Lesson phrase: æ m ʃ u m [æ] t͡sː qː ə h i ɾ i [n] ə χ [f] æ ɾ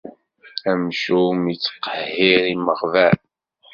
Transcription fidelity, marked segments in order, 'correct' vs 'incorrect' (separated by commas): incorrect, incorrect, incorrect